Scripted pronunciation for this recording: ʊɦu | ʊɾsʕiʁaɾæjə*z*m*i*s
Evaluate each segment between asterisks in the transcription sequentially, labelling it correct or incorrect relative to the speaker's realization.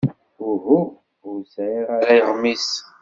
incorrect, correct

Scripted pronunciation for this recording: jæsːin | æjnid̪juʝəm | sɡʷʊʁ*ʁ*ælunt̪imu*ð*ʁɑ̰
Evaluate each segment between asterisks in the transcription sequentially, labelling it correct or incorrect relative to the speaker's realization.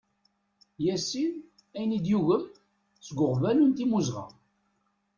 incorrect, incorrect

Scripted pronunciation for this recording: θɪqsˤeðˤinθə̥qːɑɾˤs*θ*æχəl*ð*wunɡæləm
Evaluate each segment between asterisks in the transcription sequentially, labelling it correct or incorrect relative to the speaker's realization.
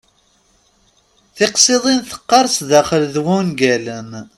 incorrect, correct

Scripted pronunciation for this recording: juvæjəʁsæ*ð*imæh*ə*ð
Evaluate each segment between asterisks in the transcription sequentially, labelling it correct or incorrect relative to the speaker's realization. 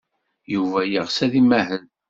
correct, correct

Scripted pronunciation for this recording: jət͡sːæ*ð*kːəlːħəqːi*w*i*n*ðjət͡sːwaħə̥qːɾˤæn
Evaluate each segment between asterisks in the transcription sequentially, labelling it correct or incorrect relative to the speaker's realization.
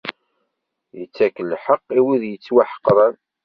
incorrect, correct, incorrect

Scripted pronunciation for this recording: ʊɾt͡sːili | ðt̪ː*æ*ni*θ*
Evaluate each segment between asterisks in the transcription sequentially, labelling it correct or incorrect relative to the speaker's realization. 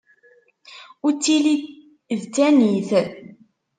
correct, correct

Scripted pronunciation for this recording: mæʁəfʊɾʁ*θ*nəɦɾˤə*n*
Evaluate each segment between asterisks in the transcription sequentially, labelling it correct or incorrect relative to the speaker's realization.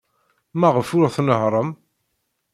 correct, incorrect

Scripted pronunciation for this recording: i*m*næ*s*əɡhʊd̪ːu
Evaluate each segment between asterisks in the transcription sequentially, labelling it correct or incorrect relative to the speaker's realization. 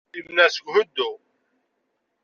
correct, correct

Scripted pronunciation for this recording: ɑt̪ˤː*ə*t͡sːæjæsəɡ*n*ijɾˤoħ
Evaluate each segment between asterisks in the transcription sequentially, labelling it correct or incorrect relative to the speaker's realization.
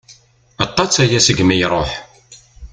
incorrect, incorrect

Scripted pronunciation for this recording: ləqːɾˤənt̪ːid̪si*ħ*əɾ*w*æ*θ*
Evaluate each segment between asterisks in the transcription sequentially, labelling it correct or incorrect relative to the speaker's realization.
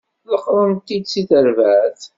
incorrect, incorrect, correct

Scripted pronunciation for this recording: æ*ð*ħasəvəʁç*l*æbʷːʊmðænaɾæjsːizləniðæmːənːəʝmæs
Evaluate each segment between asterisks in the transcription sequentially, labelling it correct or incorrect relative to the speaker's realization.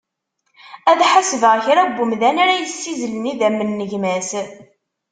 correct, incorrect

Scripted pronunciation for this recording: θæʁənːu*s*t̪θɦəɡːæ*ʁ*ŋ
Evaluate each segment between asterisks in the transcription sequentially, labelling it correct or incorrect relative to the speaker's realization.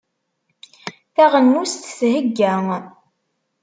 correct, incorrect

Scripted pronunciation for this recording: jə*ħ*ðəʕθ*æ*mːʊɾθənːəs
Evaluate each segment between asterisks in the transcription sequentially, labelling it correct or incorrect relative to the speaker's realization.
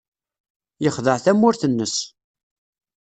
incorrect, correct

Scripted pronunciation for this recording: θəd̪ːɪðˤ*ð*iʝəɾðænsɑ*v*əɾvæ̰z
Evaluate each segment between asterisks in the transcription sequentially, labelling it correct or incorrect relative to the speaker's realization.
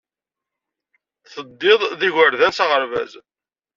correct, incorrect

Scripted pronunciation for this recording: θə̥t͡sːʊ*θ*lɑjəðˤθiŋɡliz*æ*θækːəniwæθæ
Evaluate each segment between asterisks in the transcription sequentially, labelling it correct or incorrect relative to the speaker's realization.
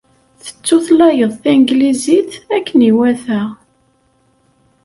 correct, incorrect

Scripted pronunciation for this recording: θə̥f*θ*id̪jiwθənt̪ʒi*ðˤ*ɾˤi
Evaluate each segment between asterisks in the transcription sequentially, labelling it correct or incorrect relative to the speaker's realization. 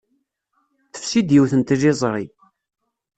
incorrect, incorrect

